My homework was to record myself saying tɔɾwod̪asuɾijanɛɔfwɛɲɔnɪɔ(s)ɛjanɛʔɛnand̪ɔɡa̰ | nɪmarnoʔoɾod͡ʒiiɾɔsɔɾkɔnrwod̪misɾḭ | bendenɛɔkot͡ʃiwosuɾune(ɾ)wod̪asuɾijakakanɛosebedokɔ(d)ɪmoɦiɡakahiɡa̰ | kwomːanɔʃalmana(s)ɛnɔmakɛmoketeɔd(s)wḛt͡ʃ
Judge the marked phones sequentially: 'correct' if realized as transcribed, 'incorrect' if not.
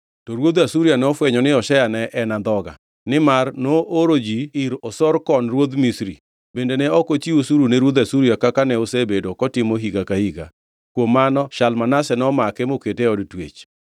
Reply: incorrect, correct, incorrect, correct, incorrect

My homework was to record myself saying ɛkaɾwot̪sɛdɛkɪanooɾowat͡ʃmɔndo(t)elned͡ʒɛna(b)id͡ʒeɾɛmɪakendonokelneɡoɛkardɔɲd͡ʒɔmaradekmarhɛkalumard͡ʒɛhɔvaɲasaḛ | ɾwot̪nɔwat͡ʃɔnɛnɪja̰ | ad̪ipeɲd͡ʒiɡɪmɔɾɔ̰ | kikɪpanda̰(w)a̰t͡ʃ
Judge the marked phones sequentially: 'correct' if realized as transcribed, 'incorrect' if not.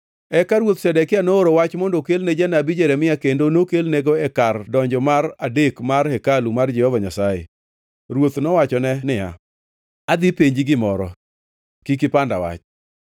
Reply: incorrect, correct, correct

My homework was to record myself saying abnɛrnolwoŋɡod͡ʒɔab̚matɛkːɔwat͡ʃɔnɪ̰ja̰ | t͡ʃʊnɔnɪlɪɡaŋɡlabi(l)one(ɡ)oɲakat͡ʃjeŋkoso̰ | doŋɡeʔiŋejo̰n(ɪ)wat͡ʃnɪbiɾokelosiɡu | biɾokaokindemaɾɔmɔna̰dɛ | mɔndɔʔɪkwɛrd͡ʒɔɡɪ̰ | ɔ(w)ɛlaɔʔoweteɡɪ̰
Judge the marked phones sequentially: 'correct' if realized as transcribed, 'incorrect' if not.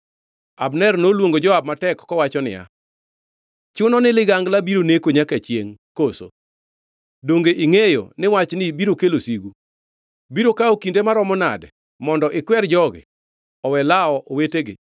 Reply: incorrect, incorrect, correct, correct

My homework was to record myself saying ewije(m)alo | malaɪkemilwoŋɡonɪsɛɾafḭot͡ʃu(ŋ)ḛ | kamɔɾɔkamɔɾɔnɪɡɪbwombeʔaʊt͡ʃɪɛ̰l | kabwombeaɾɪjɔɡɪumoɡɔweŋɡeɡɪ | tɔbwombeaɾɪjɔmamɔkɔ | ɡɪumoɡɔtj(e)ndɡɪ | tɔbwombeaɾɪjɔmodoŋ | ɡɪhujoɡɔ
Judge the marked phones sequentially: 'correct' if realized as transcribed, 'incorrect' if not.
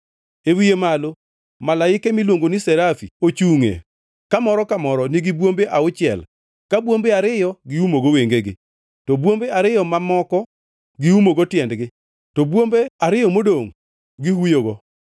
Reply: correct, correct, incorrect

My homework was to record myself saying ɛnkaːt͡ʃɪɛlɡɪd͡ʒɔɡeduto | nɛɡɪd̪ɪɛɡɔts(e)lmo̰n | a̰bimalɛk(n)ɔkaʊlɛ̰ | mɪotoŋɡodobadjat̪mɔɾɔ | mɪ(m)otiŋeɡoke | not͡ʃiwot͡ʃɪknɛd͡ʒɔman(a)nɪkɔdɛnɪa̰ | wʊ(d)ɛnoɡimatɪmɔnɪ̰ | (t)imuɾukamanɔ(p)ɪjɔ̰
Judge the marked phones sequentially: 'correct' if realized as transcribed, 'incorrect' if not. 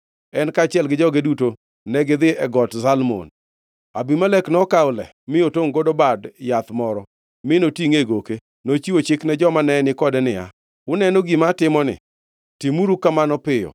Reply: incorrect, correct, incorrect, incorrect, incorrect, correct, correct

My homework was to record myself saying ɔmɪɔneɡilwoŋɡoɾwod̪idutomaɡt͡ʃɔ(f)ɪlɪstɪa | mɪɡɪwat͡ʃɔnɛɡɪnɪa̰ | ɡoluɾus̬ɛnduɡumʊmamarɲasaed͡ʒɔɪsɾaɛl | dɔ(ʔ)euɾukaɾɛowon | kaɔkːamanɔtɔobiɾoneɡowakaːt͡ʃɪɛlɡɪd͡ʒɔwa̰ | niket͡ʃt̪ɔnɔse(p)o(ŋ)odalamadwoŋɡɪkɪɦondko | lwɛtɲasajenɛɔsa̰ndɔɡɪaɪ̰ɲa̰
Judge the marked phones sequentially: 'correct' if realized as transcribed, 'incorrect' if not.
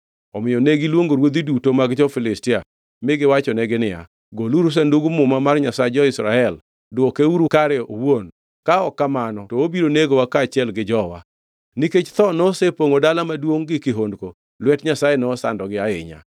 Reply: correct, incorrect, correct, correct

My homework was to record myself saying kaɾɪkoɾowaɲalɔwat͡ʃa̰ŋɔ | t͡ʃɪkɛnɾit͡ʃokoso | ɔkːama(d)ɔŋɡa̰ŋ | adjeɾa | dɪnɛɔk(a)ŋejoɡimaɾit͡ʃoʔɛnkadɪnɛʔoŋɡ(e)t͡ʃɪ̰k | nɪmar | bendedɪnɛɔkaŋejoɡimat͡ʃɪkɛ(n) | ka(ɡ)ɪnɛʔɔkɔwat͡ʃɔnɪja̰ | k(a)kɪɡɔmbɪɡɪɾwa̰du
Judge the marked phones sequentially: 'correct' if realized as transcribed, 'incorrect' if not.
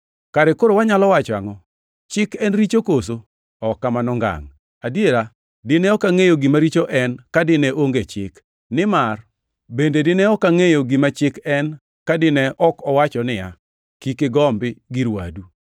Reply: incorrect, correct, correct, correct, incorrect, incorrect

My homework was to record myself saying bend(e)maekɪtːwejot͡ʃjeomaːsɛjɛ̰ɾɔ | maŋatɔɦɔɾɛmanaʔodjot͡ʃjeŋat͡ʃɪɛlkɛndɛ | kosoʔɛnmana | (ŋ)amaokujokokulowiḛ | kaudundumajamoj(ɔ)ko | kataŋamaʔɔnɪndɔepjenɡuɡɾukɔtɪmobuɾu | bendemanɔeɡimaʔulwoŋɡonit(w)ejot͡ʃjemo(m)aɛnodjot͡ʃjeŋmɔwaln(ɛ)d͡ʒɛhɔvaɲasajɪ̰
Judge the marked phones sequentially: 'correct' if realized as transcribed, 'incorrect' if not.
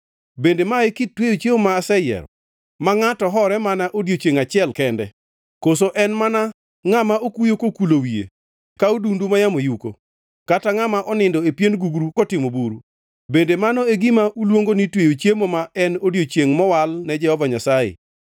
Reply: correct, correct, incorrect, correct, correct, correct

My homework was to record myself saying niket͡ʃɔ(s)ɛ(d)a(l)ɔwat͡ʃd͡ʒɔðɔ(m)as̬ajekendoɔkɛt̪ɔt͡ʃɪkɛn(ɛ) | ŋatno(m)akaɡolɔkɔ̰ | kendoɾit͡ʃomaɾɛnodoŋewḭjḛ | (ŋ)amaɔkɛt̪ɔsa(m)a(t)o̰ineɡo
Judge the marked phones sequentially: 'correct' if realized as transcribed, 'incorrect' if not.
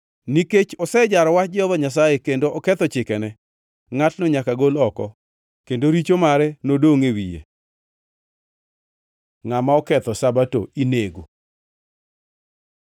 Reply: correct, incorrect, incorrect, incorrect, correct, incorrect, correct, incorrect, correct

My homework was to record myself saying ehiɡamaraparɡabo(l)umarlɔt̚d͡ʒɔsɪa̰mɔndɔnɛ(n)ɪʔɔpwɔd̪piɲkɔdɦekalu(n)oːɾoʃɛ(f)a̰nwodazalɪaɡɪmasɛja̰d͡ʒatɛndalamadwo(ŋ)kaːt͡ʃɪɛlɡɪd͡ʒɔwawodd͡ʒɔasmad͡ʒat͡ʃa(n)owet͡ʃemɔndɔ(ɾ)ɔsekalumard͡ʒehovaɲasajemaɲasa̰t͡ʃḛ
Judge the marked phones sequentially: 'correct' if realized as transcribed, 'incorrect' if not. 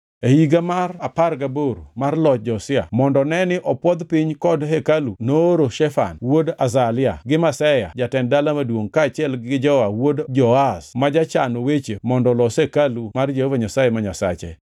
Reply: incorrect, correct, correct, correct, correct, correct, incorrect

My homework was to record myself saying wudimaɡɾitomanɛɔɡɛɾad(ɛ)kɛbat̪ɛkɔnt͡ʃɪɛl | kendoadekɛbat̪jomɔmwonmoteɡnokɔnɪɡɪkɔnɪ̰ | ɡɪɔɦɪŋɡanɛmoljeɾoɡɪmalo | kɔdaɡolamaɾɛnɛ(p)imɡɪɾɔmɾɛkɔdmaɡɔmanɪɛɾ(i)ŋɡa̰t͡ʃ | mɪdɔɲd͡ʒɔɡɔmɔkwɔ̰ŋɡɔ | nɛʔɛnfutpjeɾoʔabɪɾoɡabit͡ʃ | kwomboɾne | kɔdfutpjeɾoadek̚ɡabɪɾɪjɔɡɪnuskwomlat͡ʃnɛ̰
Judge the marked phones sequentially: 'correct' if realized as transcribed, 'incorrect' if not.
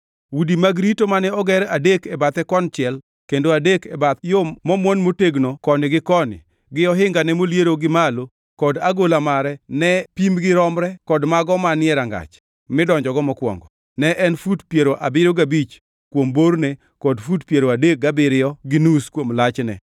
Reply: incorrect, correct, incorrect

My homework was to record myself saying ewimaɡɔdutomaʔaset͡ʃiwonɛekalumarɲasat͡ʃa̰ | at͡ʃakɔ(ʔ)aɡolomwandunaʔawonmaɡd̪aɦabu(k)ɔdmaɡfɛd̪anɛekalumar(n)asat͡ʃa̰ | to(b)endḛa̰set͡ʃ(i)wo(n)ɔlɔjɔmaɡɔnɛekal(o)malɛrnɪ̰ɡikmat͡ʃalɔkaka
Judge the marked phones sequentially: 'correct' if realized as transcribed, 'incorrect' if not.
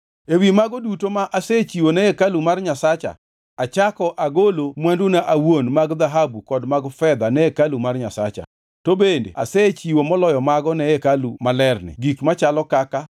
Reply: correct, correct, incorrect, correct, correct, incorrect, incorrect

